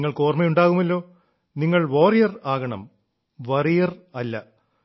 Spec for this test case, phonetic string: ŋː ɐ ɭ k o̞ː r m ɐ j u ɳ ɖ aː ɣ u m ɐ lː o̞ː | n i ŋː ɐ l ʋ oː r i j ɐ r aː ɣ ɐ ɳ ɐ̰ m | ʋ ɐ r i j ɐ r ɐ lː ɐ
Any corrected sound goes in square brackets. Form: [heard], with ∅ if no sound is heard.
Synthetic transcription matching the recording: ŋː ɐ ɭ k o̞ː r m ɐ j u ɳ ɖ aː ɣ u m ɐ lː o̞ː | n i ŋː ɐ [ɭ] ʋ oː r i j ɐ r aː ɣ ɐ ɳ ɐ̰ m | ʋ ɐ r i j ɐ r ɐ lː ɐ